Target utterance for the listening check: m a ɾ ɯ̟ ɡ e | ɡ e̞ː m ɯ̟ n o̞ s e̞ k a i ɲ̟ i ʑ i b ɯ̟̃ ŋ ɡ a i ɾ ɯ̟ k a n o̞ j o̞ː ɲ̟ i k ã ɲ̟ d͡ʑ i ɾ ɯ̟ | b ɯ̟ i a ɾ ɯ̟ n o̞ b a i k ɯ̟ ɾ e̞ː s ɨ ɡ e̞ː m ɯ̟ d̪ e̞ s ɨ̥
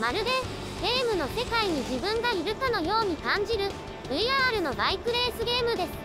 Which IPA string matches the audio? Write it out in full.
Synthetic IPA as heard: m a ɾ ɯ̟ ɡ e | ɡ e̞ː m ɯ̟ n o̞ s e̞ k a i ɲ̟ i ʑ i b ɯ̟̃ ŋ ɡ a i ɾ ɯ̟ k a n o̞ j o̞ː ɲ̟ i k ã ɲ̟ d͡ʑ i ɾ ɯ̟ | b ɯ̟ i a ɾ ɯ̟ n o̞ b a i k ɯ̟ ɾ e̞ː s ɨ ɡ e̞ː m ɯ̟ d̪ e̞ s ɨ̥